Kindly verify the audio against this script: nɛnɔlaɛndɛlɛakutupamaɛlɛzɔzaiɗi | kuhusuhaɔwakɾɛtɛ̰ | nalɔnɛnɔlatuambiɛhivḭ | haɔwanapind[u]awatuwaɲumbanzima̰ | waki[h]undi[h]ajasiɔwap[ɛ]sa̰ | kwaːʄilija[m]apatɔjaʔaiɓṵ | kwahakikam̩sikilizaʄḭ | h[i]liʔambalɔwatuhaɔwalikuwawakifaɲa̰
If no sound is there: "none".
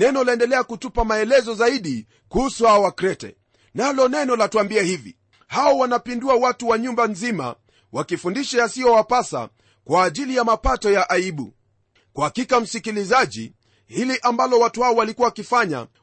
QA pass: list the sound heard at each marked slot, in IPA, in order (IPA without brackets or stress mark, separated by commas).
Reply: u, f, ʃ, a, m, i